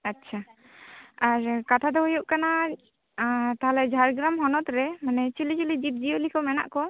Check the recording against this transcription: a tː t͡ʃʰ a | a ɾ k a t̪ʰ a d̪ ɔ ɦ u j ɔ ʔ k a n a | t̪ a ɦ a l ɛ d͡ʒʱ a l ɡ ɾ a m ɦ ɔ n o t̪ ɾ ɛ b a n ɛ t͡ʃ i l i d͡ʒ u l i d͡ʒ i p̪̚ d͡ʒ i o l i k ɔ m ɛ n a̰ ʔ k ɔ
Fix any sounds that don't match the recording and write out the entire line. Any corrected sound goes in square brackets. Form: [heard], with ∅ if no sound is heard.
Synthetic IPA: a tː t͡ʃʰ a | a ɾ k a t̪ʰ a d̪ ɔ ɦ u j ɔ ʔ k a n a | t̪ a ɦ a l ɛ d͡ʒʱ a [ɾ] ɡ ɾ a m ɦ ɔ n [ɔ] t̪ ɾ ɛ [m] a n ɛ t͡ʃ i l i d͡ʒ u l i d͡ʒ i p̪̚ d͡ʒ i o l i k ɔ m ɛ n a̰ ʔ k ɔ